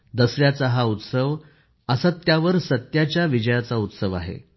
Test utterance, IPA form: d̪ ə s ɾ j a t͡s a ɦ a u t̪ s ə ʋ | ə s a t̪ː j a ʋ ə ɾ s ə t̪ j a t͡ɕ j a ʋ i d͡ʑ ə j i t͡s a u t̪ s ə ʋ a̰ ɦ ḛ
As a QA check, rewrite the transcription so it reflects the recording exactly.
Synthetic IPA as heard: d̪ ə s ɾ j a t͡s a ɦ a u t̪ s ə ʋ | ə s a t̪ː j a ʋ ə ɾ s ə t̪ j a t͡ɕ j a ʋ i d͡ʑ ə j a t͡s a u t̪ s ə ʋ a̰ ɦ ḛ

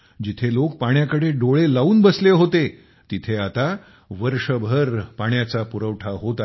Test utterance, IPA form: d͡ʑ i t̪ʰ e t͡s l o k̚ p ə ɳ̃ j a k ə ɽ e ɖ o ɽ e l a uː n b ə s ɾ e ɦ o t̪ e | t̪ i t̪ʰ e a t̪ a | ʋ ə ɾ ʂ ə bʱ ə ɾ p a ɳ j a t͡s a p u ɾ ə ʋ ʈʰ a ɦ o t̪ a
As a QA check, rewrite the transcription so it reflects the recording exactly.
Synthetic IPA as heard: d͡ʑ i t̪ʰ e l o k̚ p a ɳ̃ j a k ə ɽ e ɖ o ɭ e l a uː n b ə s l e ɦ o t̪ e | t̪ i t̪ʰ e a t̪ a | ʋ ə ɾ ʂ ə bʱ ə ɾ p a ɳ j a t͡s a p u ɾ ə ʋ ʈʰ a ɦ o t̪ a

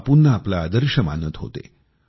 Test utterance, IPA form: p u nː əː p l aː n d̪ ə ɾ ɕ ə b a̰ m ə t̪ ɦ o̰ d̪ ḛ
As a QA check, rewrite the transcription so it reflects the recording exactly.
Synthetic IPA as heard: p u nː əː p l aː d̪ ə ɾ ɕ ə m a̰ n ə t̪ ɦ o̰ t̪ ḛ

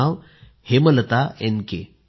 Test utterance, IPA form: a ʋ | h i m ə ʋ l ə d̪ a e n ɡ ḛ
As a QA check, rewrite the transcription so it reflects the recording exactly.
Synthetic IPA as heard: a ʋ | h e m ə l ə t̪ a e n k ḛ

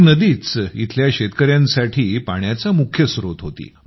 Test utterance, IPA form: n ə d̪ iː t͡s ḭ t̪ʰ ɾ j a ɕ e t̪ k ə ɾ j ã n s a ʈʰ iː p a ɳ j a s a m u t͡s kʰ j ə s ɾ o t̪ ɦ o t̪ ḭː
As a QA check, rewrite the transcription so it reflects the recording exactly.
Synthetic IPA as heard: n ə d̪ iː t͡s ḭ t̪ʰ l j a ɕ e t̪ k ə ɾ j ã n s a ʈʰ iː p a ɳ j a t͡s a m u kʰ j ə s ɾ o t̪ ɦ o t̪ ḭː

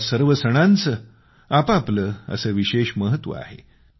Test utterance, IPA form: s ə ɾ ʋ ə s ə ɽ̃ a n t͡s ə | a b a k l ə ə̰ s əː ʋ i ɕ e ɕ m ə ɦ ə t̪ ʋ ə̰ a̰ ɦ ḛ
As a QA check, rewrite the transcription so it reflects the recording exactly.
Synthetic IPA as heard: s ə ɾ ʋ ə s ə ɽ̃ a n t͡s ə | a p a p l ə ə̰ s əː ʋ i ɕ e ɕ m ə ɦ ə t̪ ʋ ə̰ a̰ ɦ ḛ

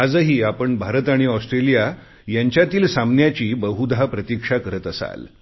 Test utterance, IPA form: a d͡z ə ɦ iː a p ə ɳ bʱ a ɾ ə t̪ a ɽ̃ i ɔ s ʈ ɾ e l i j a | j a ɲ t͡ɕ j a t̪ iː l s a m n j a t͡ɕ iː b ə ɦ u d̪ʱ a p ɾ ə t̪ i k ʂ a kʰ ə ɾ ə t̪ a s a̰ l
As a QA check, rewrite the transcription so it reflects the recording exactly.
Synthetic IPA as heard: a d͡z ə ɦ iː a p ə ɳ bʱ a ɾ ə t̪ a ɽ̃ i ɔ s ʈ ɾ e l i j a | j a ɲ t͡ɕ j a t̪ iː l s a m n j a t͡ɕ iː b ə ɦ u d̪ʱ a p ɾ ə t̪ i k ʂ a k ə ɾ ə t̪ ə s a̰ l

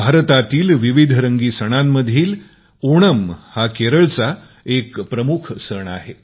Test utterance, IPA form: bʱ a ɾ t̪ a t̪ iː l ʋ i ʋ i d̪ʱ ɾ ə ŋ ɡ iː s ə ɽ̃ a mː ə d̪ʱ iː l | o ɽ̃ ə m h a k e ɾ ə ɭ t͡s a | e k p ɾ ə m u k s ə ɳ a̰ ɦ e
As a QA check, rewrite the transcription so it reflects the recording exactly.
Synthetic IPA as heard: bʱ a ɾ t̪ a t̪ iː l ʋ i ʋ i d̪ʱ ɾ ə ŋ ɡ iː s ə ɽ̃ a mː ə d̪ʱ iː l | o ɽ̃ ə m h a k e ɾ ə ɭ t͡s a | e k p ɾ ə m u kʰ s ə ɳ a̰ ɦ e

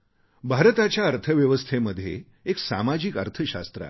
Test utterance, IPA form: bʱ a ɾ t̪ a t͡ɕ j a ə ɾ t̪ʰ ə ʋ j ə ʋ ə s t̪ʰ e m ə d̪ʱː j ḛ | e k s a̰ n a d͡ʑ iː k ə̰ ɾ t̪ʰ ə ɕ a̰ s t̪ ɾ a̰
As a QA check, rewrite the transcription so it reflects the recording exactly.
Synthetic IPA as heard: bʱ a ɾ t̪ a t͡ɕ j a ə ɾ t̪ʰ ə ʋ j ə ʋ ə s t̪ʰ e m ə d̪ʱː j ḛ | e k s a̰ m a d͡ʑ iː k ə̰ ɾ t̪ʰ ə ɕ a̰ s t̪ ɾ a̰

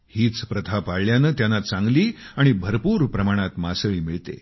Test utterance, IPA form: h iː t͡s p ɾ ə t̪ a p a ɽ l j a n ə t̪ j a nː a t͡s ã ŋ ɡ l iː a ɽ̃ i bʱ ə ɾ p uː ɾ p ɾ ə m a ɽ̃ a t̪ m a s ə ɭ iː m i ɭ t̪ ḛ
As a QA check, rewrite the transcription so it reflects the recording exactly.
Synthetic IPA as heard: h iː t͡s p ɾ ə t̪ʰ a p a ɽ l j a n ə t̪ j a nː a t͡s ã ŋ ɡ l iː a ɽ̃ i bʱ ə ɾ p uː ɾ p ɾ ə m a ɽ̃ a t̪ m a s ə ɭ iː m i ɭ t̪ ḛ

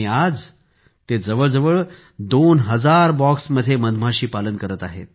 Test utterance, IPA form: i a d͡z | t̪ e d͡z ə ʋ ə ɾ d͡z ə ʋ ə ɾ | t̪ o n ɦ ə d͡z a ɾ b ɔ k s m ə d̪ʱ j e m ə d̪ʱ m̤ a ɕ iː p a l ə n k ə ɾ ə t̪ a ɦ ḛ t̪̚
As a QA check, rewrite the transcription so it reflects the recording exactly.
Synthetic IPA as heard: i a d͡z | t̪ e d͡z ə ʋ ə ɭ d͡z ə ʋ ə ɭ | d̪ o n ɦ ə d͡z a ɾ b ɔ k s m ə d̪ʱ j e m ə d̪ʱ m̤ a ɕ iː p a l ə n k ə ɾ ə t̪ a ɦ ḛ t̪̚

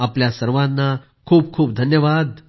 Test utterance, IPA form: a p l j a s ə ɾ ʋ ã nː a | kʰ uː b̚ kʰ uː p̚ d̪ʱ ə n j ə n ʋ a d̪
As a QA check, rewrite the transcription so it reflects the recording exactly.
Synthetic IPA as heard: a p l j a s ə ɾ ʋ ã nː a | kʰ uː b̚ kʰ uː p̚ d̪ʱ ə n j ə ʋ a d̪

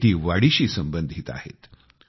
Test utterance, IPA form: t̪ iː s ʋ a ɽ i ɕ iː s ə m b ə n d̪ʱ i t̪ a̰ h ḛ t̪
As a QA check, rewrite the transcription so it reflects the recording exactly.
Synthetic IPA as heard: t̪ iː ʋ a ɽ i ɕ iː s ə m b ə n d̪ʱ i t̪ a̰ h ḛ t̪

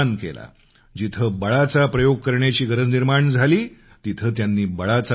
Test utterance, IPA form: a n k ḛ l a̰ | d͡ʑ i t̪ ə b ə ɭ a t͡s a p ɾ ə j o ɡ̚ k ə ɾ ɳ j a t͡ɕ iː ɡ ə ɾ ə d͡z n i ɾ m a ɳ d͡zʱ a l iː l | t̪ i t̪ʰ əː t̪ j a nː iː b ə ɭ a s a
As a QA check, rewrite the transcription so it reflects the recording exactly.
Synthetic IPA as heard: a n k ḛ l a̰ | d͡ʑ i t̪ʰ ə b ə ɭ a t͡s a p ɾ ə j o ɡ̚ k ə ɾ ɳ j a t͡ɕ iː ɡ ə ɾ ə d͡z n i ɾ m a ɳ d͡zʱ a l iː | t̪ i t̪ʰ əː t̪ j a nː iː b ə ɭ a t͡s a

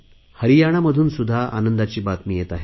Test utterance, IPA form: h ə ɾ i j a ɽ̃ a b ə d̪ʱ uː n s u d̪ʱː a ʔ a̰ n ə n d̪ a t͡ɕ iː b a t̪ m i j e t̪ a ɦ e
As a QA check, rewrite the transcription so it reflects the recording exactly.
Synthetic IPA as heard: h ə ɾ i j a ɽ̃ a m ə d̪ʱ uː n s u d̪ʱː a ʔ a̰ n ə n d̪ a t͡ɕ iː b a t̪ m i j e t̪ a ɦ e

